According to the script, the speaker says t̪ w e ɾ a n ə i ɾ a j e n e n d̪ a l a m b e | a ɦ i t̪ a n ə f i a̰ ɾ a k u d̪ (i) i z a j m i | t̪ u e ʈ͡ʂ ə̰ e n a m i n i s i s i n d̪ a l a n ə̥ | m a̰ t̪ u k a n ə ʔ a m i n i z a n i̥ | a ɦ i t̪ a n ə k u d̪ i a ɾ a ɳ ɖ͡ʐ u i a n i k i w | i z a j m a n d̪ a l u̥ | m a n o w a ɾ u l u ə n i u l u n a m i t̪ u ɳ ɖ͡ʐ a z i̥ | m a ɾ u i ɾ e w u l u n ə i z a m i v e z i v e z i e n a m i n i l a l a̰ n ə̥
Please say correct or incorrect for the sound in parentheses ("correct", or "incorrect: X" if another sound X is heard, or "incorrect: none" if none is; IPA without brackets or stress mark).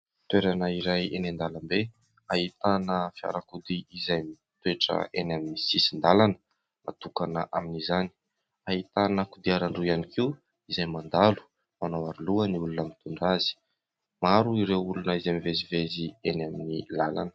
correct